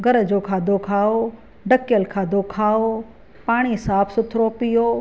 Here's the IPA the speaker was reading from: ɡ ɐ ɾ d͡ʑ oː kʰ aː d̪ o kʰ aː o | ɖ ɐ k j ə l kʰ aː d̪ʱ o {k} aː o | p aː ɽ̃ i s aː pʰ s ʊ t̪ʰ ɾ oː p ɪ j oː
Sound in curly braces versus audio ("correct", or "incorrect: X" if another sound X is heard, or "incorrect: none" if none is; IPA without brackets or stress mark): incorrect: kʰ